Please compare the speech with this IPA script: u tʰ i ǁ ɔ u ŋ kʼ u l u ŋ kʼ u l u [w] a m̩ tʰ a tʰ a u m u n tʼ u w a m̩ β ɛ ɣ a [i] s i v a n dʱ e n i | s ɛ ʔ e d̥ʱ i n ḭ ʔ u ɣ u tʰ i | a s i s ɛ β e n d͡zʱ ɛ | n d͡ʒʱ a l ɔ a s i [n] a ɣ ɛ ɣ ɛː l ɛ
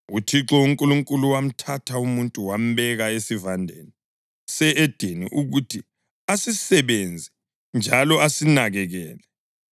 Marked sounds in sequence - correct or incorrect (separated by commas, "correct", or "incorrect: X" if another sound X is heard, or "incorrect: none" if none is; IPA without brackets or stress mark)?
correct, incorrect: e, correct